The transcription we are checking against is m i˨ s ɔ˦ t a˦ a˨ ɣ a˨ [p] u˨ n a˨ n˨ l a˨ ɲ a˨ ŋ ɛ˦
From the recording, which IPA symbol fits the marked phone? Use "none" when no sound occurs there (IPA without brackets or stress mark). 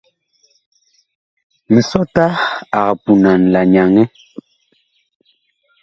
p